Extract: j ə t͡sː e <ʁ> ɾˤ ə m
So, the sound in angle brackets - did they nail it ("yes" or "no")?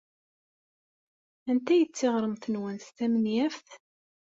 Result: yes